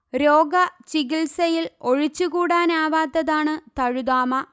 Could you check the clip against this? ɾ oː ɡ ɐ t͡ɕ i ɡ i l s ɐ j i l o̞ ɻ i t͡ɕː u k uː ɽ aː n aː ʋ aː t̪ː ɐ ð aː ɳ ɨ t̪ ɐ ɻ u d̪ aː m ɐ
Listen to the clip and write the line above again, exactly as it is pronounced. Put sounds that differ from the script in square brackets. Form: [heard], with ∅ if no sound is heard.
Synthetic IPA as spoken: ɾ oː ɡ ɐ t͡ɕ i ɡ i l s ɐ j i l o̞ ɻ i t͡ɕː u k uː ɽ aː n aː ʋ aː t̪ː ɐ ð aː ɳ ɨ t̪ ɐ ɻ u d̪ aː m ɐ